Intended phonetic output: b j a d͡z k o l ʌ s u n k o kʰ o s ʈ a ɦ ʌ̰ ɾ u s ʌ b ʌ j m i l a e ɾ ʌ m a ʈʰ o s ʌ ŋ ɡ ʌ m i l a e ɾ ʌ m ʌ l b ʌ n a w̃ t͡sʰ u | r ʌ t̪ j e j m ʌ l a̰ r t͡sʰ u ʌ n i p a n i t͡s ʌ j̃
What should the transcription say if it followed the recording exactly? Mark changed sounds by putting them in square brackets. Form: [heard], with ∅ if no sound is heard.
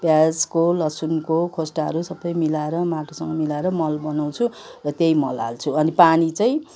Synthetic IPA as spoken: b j a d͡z k o l ʌ s u n k o kʰ o s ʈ a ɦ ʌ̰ ɾ u s ʌ b ʌ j m i l a e ɾ ʌ m a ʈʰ o s ʌ ŋ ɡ ʌ m i l a e ɾ ʌ m ʌ l b ʌ n a w̃ t͡sʰ u | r ʌ t̪ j e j m ʌ l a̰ [l] t͡sʰ u ʌ n i p a n i t͡s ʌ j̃